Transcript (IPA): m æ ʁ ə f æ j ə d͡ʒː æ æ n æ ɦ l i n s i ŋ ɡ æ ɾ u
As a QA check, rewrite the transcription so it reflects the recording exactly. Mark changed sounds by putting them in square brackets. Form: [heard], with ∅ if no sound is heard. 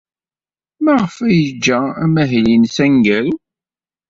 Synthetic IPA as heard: m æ ʁ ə f æ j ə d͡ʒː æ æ [m] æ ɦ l i n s [æ] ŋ ɡ æ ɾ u